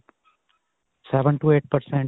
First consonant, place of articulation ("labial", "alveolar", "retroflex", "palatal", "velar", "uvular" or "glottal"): alveolar